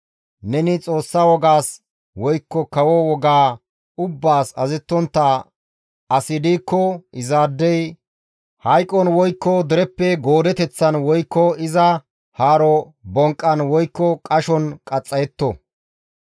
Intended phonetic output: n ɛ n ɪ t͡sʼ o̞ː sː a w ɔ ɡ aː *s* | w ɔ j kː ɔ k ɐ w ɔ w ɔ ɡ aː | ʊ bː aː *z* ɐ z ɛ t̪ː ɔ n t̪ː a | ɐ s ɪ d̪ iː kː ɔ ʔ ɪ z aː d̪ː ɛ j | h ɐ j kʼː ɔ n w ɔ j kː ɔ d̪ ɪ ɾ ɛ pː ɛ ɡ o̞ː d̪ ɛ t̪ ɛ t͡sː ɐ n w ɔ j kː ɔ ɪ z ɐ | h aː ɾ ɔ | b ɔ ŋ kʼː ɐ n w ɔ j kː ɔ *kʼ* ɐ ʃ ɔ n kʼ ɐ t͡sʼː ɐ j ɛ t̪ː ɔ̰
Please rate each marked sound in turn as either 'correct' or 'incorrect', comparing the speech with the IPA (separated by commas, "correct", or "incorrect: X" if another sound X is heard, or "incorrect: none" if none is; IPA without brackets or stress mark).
correct, incorrect: s, correct